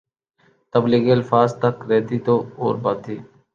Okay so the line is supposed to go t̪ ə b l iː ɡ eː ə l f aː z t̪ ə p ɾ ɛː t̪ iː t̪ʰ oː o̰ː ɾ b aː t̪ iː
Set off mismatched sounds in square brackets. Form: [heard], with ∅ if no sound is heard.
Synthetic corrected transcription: t̪ ə b l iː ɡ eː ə l f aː z t̪ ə [k] ɾ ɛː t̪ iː [t̪] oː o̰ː ɾ b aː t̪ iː